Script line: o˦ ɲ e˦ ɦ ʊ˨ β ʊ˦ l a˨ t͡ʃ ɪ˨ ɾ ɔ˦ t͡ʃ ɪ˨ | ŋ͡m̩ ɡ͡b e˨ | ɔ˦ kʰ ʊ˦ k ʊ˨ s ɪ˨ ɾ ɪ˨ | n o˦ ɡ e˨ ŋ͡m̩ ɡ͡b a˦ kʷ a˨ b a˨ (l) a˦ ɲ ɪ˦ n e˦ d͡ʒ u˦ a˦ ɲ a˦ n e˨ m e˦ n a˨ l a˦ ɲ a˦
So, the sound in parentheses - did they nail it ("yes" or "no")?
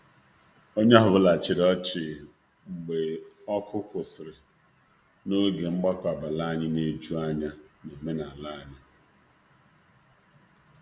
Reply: yes